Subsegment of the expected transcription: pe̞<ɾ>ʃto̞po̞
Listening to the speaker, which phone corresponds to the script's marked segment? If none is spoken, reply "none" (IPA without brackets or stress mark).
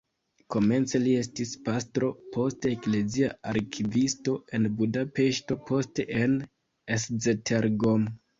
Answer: none